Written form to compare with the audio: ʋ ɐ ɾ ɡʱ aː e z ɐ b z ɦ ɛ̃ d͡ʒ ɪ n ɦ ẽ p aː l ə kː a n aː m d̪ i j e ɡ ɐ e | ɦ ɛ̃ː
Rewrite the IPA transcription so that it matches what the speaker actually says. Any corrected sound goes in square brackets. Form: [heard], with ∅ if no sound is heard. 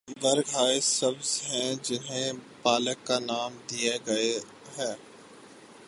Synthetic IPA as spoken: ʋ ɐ ɾ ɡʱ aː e [s] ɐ b z ɦ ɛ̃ d͡ʒ ɪ n ɦ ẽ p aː l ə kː a n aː m d̪ i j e ɡ ɐ e | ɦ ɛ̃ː